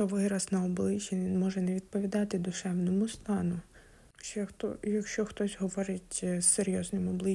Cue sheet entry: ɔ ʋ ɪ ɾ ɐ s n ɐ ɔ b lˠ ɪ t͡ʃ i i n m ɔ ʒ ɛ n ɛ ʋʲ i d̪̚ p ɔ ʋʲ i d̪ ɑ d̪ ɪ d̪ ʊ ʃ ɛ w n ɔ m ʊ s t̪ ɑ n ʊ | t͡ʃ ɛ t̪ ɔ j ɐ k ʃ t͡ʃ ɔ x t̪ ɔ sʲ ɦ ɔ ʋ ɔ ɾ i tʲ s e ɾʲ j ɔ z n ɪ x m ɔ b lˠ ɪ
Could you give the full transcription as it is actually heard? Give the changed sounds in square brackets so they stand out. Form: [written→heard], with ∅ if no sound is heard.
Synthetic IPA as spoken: ɔ ʋ ɪ ɾ ɐ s n ɐ ɔ b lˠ ɪ t͡ʃ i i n m ɔ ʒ ɛ n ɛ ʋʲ i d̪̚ p ɔ ʋʲ i d̪ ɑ [d̪→t̪] ɪ d̪ ʊ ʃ ɛ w n ɔ m ʊ s t̪ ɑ n ʊ | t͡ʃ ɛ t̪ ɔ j ɐ k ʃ t͡ʃ ɔ x t̪ ɔ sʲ ɦ ɔ ʋ ɔ ɾ [i→ɪ] tʲ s e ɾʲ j ɔ z n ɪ [x→∅] m ɔ b lˠ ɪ